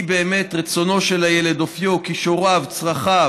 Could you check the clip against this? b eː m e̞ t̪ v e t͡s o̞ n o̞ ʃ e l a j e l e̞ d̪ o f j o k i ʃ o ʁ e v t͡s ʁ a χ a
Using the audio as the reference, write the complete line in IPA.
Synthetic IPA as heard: b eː m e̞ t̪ ʁ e t͡s o̞ n o̞ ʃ e l a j e l e̞ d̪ o f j o k i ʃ o ʁ a v t͡s ʁ a χ a